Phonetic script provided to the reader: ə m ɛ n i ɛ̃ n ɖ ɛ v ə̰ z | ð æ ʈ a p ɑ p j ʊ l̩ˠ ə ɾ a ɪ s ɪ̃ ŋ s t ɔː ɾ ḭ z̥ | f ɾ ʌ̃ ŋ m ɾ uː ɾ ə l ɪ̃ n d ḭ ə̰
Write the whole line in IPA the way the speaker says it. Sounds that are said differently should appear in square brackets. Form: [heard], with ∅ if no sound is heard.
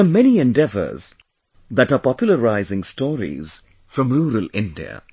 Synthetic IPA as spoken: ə m ɛ n i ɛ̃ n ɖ ɛ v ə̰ z | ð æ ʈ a p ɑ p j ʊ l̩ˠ ə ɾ a ɪ [z] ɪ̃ ŋ s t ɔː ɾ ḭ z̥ | f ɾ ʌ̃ [∅] m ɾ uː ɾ ə l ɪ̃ n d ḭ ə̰